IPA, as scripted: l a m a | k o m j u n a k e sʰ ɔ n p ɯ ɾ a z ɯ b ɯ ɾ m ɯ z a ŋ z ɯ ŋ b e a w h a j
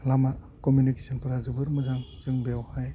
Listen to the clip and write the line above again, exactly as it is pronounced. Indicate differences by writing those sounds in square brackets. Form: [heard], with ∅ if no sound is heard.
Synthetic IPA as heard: l a m a | k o m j u n [i] k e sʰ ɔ n p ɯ ɾ a z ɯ b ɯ ɾ m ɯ z a ŋ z ɯ ŋ b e a w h a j